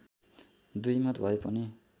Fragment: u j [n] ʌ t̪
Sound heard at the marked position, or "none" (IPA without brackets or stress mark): m